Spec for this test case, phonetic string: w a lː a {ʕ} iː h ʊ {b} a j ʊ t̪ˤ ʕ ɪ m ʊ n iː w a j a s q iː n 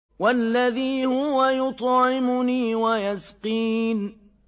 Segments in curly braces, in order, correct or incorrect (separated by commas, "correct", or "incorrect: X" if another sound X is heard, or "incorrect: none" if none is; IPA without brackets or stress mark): incorrect: ð, incorrect: w